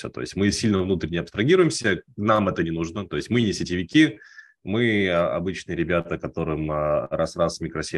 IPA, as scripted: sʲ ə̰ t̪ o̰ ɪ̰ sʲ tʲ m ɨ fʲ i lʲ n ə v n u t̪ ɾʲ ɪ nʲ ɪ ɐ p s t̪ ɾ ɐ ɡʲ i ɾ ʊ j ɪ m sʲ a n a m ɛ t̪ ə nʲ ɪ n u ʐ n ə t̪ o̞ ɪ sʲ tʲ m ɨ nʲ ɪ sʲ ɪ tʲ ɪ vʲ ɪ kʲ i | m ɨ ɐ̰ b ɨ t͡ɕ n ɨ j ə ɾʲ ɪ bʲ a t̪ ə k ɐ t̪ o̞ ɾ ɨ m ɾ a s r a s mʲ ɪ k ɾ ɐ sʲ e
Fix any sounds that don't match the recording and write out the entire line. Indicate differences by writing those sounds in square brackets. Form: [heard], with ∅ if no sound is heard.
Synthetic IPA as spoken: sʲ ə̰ t̪ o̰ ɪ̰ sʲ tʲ m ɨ [sʲ] i lʲ n ə v n u t̪ ɾʲ ɪ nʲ ɪ ɐ p s t̪ ɾ ɐ ɡʲ i ɾ ʊ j ɪ m sʲ [ə] n a m ɛ t̪ ə nʲ ɪ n u ʐ n ə t̪ o̞ ɪ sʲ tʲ m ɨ nʲ ɪ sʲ ɪ tʲ ɪ vʲ ɪ kʲ i | m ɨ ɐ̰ b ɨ t͡ɕ n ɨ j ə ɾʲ ɪ bʲ a t̪ ə k ɐ t̪ o̞ ɾ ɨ m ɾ a s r a s mʲ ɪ k ɾ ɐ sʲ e